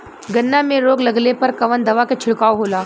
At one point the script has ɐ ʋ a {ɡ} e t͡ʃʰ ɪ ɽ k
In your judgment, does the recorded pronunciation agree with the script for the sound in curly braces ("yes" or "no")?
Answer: no